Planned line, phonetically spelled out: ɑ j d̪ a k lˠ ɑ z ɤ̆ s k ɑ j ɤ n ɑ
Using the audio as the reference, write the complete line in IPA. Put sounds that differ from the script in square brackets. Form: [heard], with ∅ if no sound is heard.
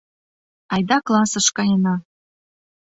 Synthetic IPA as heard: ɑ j d̪ [ɑ] k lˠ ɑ [s] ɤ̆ [ʃ] k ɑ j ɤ n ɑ

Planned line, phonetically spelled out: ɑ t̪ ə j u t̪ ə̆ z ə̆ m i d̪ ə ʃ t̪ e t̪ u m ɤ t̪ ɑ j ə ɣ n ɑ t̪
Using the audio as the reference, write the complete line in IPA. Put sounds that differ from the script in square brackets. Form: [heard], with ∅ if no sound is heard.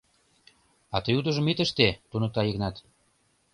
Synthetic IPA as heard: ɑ t̪ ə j u [d̪] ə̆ [ʒ] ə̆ m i [t̪] ə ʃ t̪ e t̪ u [n] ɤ t̪ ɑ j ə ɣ n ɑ t̪

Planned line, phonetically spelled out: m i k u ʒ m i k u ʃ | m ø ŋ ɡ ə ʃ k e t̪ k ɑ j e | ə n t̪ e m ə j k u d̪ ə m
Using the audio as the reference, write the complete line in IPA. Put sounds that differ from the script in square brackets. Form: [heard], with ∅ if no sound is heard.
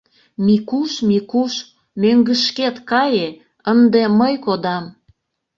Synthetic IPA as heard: m i k u [ʃ] m i k u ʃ | m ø ŋ ɡ ə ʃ k e t̪ k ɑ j e | ə n [d̪] e m ə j k [o] d̪ [ɑ] m

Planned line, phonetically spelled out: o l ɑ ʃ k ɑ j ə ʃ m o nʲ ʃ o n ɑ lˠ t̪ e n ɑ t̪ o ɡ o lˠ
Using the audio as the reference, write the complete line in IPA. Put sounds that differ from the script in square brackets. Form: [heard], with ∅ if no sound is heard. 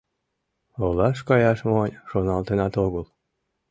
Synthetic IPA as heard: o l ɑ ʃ k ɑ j [ɑ] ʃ m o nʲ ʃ o n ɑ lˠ t̪ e n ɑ t̪ o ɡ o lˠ

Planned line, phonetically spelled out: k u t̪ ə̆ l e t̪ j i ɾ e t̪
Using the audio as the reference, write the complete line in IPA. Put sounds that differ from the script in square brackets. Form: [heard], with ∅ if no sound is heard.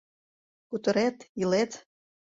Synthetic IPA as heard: k u t̪ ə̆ [ɾ] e t̪ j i [l] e t̪

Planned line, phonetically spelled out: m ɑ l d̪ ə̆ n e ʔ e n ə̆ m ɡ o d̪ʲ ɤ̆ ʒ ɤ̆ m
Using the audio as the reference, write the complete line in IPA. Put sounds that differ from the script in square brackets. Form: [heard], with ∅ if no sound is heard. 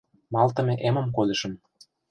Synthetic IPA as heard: m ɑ l [t̪] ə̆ [m] e ʔ e [m] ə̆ m [k] o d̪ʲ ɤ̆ [ʃ] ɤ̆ m

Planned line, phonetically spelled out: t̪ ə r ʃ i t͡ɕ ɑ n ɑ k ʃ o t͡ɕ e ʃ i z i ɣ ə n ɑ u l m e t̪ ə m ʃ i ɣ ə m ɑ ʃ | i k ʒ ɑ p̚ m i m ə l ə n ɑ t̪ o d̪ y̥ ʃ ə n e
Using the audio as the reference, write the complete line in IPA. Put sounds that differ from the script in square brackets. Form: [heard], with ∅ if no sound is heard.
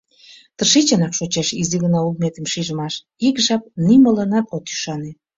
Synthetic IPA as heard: t̪ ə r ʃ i t͡ɕ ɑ n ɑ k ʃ o t͡ɕ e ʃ i z i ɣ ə n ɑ u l m e t̪ ə m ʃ i [ʒ] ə m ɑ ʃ | i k ʒ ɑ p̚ [n] i m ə l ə n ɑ t̪ o [t̪] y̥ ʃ [ɑ] n e

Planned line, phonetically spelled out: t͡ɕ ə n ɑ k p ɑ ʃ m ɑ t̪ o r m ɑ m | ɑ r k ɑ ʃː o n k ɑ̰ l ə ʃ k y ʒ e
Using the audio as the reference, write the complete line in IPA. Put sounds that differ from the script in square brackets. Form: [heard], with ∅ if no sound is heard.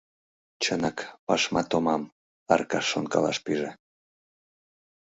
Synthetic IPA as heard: t͡ɕ ə n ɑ k p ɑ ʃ m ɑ t̪ o [∅] m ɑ m | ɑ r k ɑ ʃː o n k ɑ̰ l [ɑ] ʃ [p] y ʒ e

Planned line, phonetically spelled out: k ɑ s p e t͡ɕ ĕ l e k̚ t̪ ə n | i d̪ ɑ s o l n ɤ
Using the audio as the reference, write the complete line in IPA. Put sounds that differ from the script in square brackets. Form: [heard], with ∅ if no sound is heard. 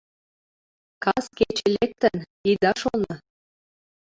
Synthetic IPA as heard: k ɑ s [k] e t͡ɕ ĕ l e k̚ t̪ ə n | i d̪ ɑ [ʃ] o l n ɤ

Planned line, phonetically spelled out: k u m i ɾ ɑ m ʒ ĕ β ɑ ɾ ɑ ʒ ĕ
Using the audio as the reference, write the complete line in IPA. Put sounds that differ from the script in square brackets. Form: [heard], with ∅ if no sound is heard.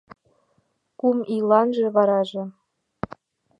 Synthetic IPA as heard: k u m i [l] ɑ [n] ʒ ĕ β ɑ ɾ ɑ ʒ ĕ

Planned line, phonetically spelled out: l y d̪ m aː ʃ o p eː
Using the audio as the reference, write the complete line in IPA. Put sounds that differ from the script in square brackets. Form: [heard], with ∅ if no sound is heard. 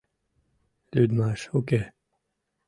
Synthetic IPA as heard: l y d̪ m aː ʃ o [k] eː

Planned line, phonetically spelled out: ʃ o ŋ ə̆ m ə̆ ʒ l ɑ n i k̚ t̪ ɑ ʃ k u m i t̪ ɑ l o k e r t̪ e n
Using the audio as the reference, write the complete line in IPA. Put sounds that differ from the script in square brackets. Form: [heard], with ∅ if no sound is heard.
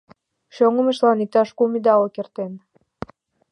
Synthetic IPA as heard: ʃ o ŋ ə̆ m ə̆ [ʃ] l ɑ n i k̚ t̪ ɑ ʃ k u m i [d̪] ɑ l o k e r t̪ e n

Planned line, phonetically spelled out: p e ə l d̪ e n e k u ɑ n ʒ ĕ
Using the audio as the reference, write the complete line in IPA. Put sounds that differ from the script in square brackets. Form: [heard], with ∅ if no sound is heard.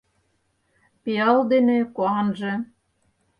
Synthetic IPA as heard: p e [ɑ] l d̪ e n e k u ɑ n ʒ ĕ

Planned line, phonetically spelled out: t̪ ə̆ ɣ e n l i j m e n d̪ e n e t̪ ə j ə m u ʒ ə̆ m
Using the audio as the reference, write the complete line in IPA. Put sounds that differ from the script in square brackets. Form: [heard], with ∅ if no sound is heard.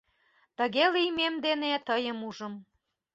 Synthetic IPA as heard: t̪ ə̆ ɣ e [∅] l i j m e [m] d̪ e n e t̪ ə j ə m u ʒ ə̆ m

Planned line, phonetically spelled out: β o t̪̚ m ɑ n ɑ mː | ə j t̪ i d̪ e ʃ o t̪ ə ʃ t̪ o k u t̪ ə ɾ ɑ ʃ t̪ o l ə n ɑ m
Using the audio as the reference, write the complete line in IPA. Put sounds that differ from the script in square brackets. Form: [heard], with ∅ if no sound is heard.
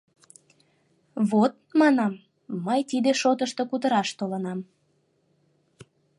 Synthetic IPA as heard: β o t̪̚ m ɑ n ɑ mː | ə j t̪ i d̪ e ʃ o t̪ ə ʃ t̪ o k u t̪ ə ɾ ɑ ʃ t̪ o l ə n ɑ m

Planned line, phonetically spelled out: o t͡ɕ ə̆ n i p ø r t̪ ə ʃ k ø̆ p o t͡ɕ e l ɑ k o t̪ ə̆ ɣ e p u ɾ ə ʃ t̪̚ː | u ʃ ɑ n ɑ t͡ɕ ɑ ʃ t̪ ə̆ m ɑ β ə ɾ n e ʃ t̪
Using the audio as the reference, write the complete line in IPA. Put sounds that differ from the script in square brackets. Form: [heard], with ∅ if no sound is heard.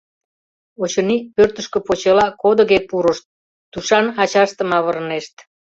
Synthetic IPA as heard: o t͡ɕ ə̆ n i p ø r t̪ ə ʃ k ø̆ p o t͡ɕ e l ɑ k o [d̪] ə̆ ɣ e p u ɾ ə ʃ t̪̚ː | u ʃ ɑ n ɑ t͡ɕ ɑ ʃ t̪ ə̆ m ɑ β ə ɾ n e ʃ t̪

